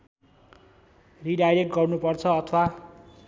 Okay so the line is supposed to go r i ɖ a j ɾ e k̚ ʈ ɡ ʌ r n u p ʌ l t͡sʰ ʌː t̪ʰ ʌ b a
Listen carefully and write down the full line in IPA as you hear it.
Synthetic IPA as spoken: r i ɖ a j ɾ e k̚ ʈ ɡ ʌ r n u p ʌ r t͡sʰ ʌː t̪ʰ ʌ w a